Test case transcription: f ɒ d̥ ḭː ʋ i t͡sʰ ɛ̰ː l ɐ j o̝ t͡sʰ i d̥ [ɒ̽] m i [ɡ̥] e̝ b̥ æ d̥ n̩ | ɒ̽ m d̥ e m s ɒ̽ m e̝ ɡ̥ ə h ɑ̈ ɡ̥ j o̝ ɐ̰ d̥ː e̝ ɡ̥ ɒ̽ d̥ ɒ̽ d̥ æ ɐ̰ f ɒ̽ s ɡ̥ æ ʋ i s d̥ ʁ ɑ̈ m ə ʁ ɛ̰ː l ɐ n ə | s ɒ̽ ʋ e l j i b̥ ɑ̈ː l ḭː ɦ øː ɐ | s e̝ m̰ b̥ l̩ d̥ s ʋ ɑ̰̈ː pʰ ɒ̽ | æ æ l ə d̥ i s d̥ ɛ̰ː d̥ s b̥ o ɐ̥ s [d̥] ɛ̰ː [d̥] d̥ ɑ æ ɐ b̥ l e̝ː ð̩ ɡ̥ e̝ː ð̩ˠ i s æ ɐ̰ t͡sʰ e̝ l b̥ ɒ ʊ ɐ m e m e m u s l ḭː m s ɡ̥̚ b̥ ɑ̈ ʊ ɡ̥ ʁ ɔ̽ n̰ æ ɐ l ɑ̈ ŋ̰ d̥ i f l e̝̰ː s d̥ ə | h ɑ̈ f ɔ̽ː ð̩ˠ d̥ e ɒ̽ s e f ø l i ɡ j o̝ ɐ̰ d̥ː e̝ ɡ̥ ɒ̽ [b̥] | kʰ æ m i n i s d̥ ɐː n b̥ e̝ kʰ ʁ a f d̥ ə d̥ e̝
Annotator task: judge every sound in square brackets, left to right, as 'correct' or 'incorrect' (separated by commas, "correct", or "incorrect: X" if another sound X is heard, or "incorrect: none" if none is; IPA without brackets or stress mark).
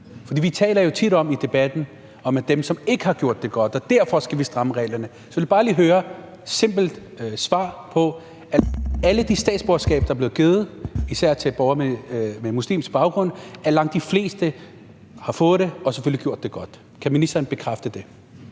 correct, incorrect: d̥, incorrect: ɡ̥, incorrect: b̥, incorrect: d̥